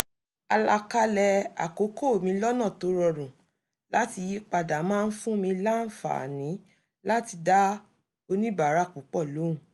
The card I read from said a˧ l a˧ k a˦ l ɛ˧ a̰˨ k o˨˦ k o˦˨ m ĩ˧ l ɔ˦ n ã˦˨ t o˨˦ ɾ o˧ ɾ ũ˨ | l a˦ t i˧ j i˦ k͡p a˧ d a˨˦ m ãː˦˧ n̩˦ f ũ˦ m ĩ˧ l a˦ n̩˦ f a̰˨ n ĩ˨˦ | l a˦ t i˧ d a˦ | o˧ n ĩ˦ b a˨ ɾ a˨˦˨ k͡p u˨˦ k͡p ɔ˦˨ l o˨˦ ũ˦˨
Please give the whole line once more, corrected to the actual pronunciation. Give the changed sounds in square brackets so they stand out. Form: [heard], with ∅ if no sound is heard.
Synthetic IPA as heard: a˧ l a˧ k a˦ l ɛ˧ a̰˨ k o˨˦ k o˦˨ m ĩ˧ l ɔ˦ n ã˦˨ t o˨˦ ɾ [ɔ˧] ɾ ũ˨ | l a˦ t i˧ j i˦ k͡p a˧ d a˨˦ m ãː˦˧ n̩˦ f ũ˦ m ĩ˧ l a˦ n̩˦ f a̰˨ n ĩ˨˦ | l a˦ t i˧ d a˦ | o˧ n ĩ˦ b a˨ ɾ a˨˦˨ k͡p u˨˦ k͡p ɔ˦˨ l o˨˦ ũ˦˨